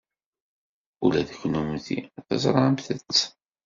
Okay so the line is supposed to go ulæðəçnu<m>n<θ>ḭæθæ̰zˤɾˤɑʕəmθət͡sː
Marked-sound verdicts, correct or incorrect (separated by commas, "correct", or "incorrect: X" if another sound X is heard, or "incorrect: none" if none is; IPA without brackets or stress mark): correct, correct